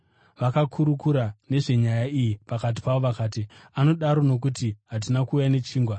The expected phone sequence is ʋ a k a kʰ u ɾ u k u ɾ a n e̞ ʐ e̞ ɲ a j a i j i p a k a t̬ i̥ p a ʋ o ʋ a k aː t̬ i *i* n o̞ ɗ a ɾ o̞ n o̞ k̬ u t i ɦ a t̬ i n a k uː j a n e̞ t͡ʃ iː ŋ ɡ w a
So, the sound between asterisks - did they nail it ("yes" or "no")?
no